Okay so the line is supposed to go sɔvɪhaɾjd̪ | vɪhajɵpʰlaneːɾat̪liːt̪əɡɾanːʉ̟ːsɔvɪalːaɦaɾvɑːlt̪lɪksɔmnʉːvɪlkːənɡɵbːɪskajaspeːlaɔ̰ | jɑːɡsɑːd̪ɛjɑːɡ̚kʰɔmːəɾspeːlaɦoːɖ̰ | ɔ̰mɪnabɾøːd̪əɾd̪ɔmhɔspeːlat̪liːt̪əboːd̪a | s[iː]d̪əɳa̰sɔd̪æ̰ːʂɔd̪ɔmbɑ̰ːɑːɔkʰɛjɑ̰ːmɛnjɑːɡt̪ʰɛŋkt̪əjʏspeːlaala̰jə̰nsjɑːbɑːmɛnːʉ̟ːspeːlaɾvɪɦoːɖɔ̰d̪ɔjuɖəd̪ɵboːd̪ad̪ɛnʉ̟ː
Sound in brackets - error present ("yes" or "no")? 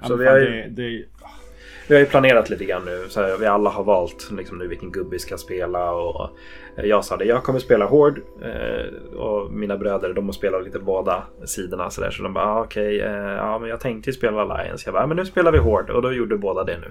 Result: no